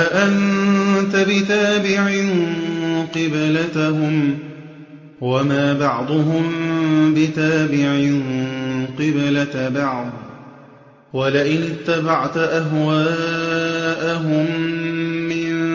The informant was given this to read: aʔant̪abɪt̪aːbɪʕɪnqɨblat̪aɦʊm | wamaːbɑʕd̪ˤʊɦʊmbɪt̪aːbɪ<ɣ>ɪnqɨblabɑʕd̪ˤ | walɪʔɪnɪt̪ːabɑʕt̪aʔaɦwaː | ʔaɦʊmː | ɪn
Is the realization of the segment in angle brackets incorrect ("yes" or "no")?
yes